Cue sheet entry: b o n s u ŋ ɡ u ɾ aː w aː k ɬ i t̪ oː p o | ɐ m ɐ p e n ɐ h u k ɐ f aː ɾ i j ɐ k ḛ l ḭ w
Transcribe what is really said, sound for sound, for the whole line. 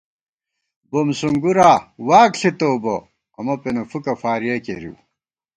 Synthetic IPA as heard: b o m s u ŋ ɡ u ɾ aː w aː k ɬ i t̪ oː b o | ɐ m ɐ p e n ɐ f u k ɐ f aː ɾ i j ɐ k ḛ ɾ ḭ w